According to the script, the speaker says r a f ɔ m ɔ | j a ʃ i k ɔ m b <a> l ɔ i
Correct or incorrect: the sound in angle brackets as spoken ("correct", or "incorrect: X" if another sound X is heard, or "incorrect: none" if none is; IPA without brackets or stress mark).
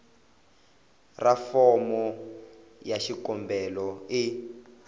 incorrect: ɛ